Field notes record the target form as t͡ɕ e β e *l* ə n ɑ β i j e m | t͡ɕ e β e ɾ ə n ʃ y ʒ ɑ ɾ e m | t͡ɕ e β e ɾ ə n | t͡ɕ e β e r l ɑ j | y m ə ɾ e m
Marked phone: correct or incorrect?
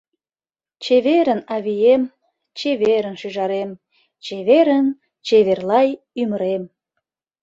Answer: incorrect